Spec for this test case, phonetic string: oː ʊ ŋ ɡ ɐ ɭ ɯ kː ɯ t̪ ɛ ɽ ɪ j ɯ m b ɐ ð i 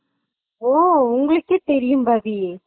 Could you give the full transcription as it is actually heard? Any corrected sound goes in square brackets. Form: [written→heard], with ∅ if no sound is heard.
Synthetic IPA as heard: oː ʊ ŋ ɡ ɐ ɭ ɯ kː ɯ t̪ ɛ [ɽ→ɾ] ɪ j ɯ m b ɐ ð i